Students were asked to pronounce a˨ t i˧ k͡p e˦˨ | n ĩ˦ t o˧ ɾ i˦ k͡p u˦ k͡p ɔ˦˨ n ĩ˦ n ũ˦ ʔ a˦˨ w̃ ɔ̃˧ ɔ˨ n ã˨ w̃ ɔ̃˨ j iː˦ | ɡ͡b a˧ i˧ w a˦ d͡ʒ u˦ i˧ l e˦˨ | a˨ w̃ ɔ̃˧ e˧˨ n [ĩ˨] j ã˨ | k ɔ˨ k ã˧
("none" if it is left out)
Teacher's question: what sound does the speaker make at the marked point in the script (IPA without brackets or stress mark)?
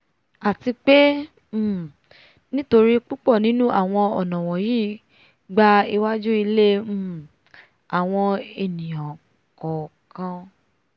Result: ĩ˨